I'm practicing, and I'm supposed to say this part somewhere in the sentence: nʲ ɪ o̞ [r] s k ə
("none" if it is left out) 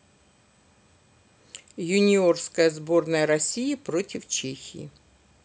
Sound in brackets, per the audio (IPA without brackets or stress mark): r